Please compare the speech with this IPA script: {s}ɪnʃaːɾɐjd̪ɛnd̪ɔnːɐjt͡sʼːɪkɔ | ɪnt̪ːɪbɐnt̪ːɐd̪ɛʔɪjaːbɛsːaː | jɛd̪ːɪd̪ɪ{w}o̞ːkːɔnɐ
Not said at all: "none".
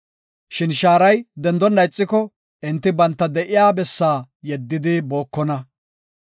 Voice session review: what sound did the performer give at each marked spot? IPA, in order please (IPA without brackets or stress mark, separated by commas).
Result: ʃ, b